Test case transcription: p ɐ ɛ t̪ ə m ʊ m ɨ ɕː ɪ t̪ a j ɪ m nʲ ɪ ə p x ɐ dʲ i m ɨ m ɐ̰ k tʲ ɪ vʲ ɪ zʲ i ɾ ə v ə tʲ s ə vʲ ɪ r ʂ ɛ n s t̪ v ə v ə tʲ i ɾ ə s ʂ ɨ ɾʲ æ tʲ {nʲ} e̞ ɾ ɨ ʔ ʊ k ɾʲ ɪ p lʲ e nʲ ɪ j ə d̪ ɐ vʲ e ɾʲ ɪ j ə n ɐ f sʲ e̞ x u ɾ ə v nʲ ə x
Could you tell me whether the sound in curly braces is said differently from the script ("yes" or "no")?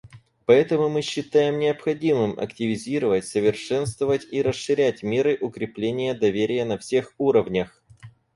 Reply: yes